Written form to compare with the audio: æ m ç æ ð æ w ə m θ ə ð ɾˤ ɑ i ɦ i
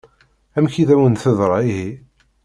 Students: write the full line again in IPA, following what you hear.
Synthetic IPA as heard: æ m ç i ð æ w ə n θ ə ð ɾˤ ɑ i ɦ i